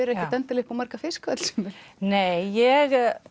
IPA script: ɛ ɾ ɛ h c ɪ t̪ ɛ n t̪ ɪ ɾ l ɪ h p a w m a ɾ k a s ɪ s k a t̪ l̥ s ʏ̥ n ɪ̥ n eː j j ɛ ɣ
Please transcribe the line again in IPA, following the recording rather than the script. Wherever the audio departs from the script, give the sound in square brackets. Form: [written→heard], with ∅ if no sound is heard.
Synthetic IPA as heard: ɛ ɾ ɛ h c ɪ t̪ ɛ n t̪ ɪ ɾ l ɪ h p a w m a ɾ k a [s→f] ɪ s k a t̪ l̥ s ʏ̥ [n→m] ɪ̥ n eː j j ɛ ɣ